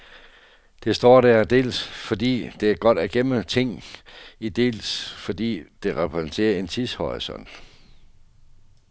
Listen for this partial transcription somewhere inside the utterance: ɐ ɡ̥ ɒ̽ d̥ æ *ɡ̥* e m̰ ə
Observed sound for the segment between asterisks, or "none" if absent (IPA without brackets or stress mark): ɡ̥